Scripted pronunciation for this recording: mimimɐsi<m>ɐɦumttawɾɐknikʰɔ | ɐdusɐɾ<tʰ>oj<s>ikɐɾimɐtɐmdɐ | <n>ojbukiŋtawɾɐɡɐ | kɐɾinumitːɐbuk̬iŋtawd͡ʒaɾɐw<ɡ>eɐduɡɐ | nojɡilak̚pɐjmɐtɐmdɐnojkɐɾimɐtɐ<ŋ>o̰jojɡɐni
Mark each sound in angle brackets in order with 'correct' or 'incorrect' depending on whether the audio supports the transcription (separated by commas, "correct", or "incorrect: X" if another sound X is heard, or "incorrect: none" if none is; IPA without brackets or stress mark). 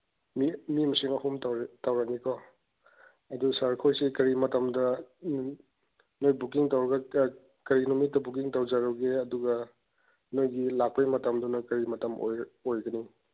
incorrect: ŋ, incorrect: kʰ, correct, correct, correct, incorrect: m